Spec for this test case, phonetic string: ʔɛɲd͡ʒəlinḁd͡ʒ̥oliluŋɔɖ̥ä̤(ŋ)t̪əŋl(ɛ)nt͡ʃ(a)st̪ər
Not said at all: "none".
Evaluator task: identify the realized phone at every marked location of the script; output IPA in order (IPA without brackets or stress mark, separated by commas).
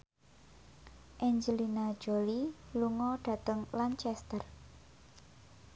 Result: none, a, ɛ